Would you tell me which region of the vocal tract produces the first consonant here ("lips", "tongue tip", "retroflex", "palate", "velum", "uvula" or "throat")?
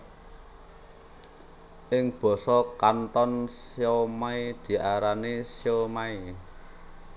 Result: throat